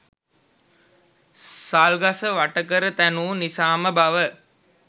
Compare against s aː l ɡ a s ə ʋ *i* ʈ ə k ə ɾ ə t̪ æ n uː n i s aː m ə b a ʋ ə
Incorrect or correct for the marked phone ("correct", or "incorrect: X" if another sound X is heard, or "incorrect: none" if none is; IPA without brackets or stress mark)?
incorrect: a